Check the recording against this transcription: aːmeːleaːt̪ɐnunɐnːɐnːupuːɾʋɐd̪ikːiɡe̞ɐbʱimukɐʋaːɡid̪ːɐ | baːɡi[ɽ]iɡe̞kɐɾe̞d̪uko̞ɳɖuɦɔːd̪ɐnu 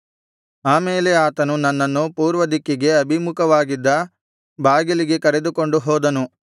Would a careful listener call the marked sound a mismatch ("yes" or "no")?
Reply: yes